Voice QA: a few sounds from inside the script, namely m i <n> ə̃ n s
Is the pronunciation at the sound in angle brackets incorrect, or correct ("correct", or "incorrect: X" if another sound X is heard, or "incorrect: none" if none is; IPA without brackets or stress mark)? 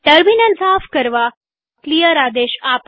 correct